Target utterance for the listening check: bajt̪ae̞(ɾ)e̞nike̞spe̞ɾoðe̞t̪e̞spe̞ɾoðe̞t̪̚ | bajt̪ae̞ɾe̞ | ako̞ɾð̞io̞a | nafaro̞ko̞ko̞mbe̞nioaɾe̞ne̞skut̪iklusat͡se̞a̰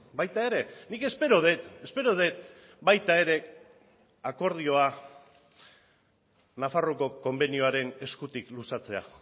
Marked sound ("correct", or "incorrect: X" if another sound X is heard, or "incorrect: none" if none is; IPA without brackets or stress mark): correct